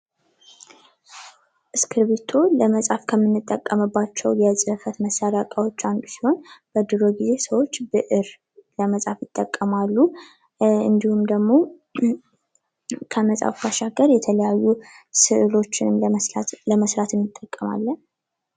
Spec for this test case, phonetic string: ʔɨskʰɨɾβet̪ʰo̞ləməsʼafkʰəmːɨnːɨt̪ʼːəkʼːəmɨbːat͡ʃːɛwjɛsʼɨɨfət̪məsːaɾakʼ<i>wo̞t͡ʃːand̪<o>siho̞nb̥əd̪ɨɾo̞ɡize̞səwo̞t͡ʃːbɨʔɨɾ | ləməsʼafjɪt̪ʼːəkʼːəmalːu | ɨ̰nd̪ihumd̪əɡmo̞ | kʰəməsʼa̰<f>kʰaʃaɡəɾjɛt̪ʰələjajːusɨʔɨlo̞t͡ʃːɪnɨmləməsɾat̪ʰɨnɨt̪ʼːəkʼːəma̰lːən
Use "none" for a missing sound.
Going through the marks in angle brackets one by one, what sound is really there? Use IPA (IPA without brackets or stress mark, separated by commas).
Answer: a, u, f